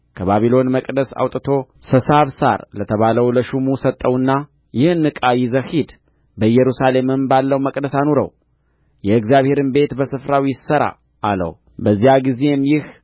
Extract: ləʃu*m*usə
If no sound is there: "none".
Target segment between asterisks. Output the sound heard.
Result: m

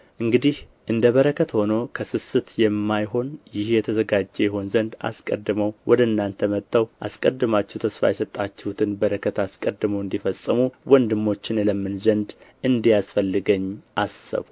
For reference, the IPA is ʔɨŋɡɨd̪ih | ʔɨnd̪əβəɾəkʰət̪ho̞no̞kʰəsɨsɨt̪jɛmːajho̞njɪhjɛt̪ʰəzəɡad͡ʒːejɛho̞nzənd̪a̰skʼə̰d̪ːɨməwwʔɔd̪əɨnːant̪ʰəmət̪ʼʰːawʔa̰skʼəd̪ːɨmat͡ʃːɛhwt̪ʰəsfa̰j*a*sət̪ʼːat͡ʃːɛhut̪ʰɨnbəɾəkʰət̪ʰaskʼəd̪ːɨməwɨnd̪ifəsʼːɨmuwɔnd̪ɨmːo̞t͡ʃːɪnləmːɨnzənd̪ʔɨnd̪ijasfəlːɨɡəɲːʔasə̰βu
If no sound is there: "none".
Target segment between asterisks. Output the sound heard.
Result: ɛ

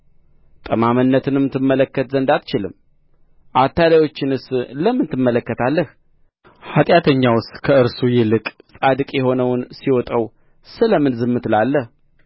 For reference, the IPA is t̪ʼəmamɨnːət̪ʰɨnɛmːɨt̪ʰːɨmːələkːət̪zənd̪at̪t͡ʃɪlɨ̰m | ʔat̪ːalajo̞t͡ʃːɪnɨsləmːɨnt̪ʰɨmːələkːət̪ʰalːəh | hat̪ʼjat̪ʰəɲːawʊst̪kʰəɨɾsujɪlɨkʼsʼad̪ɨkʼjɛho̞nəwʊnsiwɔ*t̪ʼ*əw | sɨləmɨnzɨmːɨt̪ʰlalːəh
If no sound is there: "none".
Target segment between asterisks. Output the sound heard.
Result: t̪ʼ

